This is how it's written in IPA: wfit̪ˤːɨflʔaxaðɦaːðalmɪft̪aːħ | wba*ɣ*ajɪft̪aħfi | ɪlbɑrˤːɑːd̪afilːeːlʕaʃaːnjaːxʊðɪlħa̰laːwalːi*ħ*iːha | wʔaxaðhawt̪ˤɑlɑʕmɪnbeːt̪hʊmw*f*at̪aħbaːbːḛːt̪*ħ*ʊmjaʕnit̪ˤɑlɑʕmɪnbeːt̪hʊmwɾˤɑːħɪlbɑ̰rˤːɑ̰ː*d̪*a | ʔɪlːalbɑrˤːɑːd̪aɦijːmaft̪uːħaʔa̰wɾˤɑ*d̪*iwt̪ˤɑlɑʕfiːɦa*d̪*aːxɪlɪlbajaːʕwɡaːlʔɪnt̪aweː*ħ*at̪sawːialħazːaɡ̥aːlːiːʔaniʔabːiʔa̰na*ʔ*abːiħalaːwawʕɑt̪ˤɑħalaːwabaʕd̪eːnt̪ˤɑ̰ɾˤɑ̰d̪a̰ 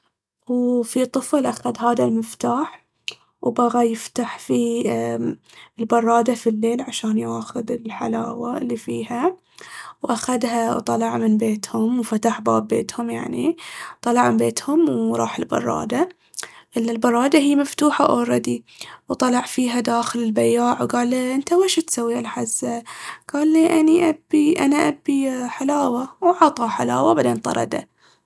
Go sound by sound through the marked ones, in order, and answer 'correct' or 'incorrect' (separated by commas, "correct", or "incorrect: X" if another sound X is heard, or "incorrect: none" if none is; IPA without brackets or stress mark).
correct, incorrect: f, correct, incorrect: h, correct, correct, correct, incorrect: ʃ, correct